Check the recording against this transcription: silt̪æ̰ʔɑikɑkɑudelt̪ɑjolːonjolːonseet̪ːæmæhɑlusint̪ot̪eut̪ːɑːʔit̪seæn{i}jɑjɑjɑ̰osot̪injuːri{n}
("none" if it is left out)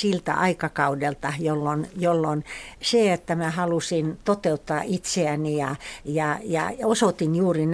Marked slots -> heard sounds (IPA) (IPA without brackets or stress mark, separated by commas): i, n